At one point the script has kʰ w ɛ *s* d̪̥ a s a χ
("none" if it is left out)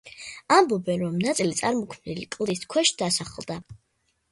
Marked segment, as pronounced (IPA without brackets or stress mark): ʃ